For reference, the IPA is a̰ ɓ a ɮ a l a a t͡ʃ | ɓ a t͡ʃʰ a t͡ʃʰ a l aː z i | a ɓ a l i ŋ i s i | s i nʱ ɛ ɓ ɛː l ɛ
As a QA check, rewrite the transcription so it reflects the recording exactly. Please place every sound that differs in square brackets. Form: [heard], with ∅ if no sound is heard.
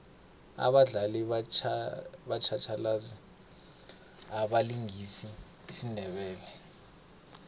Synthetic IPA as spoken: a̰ ɓ a ɮ a l [i] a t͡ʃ | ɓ a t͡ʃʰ a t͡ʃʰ a l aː z i | a ɓ a l i ŋ i s i | s i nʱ ɛ ɓ ɛː l ɛ